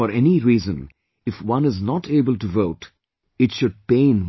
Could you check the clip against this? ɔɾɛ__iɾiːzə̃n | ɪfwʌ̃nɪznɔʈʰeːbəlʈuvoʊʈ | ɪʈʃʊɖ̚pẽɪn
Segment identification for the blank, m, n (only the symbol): n